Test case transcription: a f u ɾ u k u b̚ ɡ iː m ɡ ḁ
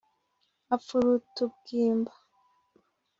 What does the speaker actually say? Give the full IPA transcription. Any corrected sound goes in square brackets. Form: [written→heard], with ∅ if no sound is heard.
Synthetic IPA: a f u ɾ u [k→t] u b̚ ɡ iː m [ɡ→b] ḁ